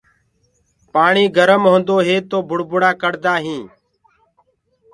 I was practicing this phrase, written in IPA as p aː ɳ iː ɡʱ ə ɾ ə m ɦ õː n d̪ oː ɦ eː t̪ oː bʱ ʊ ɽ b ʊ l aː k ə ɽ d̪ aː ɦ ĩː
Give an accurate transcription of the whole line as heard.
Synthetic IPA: p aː ɳ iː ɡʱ ə ɾ ə m ɦ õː n d̪ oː ɦ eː t̪ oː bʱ ʊ ɽ b ʊ ɽ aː k ə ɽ d̪ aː ɦ ĩː